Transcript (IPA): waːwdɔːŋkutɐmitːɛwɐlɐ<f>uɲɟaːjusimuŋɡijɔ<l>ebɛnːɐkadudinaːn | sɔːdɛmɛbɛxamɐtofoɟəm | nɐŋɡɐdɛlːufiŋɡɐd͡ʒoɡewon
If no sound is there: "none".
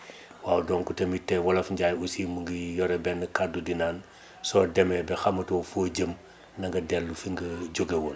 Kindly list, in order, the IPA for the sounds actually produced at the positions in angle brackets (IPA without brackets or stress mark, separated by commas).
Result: f, ɾ